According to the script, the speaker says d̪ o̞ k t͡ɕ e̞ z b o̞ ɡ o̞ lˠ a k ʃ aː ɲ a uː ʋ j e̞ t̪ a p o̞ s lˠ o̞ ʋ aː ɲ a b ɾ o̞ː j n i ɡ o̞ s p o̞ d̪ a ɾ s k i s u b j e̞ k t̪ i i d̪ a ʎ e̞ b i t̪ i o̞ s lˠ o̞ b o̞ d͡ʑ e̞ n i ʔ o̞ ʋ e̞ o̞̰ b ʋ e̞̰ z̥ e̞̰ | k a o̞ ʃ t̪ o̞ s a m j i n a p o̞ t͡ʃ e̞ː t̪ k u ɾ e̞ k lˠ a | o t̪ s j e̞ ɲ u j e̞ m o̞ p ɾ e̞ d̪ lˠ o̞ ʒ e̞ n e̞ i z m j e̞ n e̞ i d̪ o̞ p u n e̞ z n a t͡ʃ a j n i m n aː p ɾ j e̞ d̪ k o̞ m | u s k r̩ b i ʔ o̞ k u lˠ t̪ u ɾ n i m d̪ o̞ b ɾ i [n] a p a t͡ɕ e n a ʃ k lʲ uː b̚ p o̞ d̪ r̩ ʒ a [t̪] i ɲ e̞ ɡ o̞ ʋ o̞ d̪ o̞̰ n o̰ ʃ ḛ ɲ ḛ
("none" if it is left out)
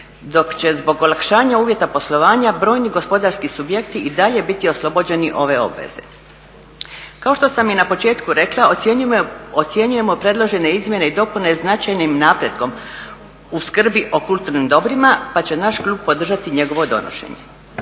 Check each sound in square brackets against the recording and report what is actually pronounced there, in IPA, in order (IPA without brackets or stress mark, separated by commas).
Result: m, t̪